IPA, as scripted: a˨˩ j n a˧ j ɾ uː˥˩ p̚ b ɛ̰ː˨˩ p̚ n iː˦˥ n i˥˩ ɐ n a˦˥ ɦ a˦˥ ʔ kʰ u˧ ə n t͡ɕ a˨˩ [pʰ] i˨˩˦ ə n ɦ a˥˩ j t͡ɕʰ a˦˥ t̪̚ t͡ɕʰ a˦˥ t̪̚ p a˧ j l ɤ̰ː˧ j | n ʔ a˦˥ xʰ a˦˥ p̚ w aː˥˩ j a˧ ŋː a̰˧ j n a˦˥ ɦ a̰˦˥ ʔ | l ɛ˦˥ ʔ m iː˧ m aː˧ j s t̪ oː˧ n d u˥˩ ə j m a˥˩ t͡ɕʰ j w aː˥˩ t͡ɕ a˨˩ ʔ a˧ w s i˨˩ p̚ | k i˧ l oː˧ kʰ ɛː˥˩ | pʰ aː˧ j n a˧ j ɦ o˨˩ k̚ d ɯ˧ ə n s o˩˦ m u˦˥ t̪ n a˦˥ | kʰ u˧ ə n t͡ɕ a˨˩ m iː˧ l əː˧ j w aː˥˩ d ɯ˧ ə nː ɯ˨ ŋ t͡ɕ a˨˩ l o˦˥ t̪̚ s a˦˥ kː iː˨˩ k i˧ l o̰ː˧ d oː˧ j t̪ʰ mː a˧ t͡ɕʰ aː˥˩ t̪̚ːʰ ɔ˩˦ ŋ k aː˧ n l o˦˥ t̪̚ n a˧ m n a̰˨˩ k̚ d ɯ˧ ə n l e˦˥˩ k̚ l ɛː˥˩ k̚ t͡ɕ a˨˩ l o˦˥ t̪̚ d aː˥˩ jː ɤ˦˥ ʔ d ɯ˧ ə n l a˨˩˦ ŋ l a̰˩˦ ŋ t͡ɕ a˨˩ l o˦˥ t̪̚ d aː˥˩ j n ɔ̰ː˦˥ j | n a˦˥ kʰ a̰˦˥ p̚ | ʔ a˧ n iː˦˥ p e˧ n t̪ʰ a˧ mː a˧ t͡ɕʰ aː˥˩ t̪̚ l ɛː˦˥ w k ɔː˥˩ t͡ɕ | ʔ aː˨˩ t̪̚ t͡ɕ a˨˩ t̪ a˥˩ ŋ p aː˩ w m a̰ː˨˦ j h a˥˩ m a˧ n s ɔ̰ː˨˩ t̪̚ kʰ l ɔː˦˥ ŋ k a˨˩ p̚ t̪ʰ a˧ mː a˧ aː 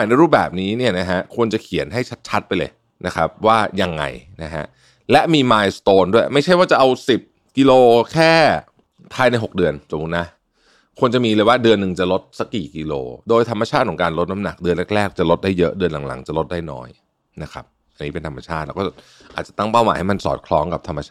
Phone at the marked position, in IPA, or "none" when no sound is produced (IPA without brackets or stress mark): kʰ